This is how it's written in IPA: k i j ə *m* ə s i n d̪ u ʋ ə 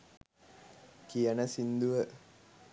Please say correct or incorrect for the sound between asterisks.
incorrect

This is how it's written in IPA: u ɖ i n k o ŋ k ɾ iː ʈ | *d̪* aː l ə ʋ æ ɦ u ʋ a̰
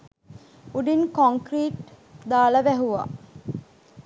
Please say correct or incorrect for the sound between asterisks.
correct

